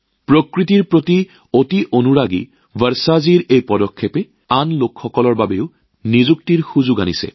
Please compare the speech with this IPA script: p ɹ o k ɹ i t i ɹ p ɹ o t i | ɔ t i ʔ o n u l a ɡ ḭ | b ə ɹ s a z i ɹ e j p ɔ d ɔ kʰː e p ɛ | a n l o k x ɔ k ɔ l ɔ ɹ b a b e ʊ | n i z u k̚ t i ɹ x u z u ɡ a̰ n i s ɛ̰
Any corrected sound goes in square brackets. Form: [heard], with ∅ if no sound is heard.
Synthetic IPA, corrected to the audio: p ɹ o k ɹ i t i ɹ p ɹ o t i | [o] t i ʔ o n u [ɹ] a ɡ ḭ | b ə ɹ s a z i ɹ e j p ɔ d ɔ kʰː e p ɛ | a n l o k x ɔ k ɔ l ɔ ɹ b a b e ʊ | n i z u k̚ t i ɹ x u z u ɡ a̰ n i s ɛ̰